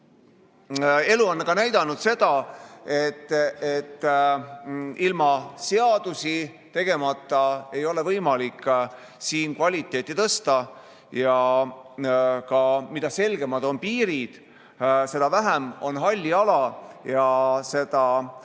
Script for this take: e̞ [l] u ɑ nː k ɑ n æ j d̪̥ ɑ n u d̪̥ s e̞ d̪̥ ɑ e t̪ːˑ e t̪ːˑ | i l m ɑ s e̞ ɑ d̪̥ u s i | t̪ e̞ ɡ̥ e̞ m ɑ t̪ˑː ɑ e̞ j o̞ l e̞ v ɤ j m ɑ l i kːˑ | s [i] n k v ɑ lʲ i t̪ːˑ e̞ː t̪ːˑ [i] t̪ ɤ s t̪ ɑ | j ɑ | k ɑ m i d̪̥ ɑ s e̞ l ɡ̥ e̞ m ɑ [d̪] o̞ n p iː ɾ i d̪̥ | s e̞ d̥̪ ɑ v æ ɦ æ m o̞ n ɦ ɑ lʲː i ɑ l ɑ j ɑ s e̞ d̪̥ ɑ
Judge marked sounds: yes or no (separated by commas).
yes, no, yes, yes